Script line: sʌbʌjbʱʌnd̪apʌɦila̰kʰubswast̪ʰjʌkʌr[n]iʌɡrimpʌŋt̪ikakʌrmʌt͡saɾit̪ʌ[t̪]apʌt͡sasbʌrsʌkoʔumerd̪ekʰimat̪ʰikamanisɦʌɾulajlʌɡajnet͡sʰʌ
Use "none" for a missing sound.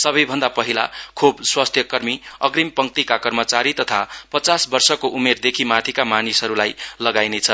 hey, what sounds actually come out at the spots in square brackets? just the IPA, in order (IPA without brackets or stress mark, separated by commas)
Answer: m, t̪ʰ